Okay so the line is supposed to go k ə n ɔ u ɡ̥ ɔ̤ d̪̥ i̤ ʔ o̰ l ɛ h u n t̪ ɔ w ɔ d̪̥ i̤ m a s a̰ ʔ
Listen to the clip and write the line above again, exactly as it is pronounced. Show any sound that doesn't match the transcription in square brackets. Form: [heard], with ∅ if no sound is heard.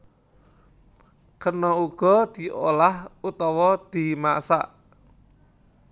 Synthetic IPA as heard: k ə n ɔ u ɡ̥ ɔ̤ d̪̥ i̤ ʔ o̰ l [a] h u [∅] t̪ ɔ w ɔ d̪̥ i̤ m a s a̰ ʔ